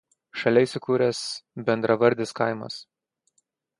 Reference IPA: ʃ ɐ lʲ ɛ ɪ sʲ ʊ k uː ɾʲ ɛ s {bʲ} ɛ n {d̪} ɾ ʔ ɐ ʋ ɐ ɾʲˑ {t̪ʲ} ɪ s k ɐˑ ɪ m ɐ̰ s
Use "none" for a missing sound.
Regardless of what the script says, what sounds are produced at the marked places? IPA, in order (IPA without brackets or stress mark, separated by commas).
bʲ, d̪, d̪ʲ